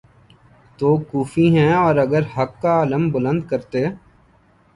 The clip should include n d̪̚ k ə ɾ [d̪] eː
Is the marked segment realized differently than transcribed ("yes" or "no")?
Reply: yes